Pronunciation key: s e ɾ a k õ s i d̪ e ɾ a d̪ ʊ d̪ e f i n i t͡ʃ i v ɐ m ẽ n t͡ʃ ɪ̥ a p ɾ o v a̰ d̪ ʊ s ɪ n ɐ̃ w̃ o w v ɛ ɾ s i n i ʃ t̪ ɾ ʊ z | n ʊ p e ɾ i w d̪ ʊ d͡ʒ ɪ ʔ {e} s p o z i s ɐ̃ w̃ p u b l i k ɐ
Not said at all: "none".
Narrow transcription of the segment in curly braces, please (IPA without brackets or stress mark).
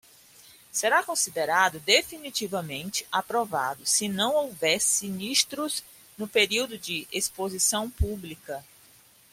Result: e